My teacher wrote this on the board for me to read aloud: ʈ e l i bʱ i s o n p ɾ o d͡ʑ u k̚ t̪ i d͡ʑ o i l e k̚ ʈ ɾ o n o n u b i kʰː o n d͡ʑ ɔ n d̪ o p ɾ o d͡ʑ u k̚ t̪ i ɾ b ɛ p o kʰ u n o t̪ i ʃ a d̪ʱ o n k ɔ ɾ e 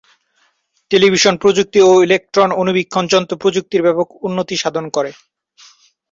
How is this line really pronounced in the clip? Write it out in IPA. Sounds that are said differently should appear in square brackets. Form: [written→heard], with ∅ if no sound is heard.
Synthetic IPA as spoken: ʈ e l i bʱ i [s→ʃ] o n p ɾ o d͡ʑ u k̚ t̪ i [d͡ʑ→∅] o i l e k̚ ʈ ɾ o n o n u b i kʰː o n d͡ʑ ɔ n [d̪→t̪] o p ɾ o d͡ʑ u k̚ t̪ i ɾ b ɛ p o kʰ u [n→nː] o t̪ i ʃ a d̪ʱ o n k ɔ ɾ e